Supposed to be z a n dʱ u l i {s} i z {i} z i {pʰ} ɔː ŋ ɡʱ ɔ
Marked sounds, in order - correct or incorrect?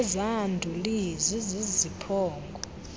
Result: incorrect, correct, correct

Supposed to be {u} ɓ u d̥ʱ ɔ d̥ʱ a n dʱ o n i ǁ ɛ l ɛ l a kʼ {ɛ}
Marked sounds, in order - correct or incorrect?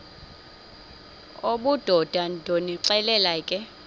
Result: incorrect, correct

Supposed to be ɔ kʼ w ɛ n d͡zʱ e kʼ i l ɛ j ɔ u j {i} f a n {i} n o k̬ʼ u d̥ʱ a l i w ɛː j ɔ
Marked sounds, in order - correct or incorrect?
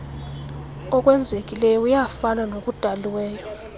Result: incorrect, incorrect

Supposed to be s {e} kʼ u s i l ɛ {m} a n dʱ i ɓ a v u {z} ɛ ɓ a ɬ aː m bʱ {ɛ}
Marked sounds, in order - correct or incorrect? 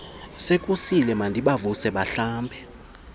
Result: correct, correct, incorrect, correct

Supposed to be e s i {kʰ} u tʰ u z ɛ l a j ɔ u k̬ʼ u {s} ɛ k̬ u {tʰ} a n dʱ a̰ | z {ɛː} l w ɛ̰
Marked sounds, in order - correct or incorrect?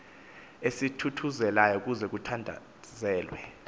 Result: incorrect, incorrect, correct, correct

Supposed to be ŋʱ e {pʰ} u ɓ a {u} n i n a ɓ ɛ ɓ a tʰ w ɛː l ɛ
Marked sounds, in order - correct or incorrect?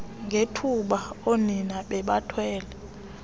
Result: incorrect, incorrect

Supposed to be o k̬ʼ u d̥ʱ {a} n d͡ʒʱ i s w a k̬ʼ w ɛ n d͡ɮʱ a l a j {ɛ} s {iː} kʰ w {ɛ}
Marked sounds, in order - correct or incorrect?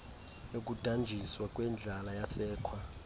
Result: correct, incorrect, incorrect, incorrect

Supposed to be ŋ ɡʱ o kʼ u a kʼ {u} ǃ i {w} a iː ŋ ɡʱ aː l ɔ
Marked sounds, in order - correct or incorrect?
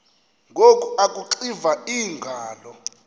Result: correct, incorrect

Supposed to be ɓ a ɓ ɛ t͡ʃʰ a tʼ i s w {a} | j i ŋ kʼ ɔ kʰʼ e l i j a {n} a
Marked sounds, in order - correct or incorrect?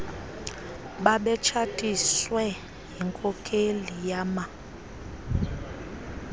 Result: incorrect, incorrect

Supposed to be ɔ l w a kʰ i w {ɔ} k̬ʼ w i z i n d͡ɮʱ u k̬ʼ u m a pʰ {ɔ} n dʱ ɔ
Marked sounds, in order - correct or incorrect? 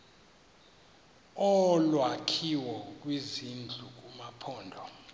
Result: correct, incorrect

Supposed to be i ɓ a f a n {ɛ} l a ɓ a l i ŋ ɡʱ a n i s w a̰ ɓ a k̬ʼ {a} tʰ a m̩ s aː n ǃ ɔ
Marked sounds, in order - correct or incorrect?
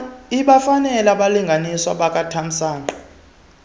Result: correct, correct

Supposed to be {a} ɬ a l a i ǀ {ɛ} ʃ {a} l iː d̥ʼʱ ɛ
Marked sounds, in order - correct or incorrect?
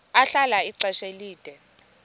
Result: correct, correct, incorrect

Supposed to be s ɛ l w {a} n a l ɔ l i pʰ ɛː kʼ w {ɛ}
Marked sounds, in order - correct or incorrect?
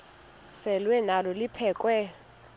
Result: incorrect, correct

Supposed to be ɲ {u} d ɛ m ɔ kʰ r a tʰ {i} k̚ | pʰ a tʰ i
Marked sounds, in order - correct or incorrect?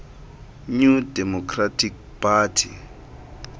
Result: correct, correct

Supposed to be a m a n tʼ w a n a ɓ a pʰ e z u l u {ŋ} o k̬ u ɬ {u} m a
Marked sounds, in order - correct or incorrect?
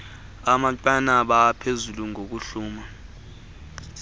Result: correct, incorrect

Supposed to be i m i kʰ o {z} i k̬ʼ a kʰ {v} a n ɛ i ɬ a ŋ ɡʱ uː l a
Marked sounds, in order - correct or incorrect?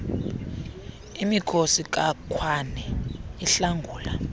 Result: incorrect, incorrect

